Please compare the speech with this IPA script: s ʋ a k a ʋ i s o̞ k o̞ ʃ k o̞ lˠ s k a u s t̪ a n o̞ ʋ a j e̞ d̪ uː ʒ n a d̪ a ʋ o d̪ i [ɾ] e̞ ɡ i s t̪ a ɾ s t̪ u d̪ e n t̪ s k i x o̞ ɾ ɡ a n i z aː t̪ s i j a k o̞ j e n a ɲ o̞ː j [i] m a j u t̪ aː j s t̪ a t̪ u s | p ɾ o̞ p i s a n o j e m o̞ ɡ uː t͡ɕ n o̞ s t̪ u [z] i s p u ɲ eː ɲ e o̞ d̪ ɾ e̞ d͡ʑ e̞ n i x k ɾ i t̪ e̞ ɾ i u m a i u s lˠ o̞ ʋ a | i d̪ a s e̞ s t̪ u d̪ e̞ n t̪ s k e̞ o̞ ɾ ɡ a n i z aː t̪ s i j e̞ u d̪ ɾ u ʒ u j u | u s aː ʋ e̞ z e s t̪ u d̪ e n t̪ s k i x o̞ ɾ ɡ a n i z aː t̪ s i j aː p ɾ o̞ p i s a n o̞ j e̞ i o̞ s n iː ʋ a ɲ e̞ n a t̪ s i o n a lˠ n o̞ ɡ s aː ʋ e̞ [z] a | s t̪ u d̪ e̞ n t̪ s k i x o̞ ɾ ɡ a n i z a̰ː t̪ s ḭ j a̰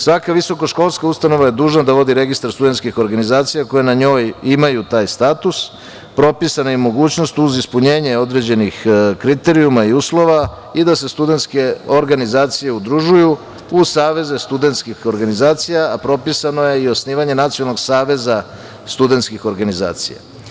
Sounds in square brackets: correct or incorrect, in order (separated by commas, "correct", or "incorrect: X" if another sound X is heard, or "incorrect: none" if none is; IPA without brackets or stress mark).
correct, correct, correct, correct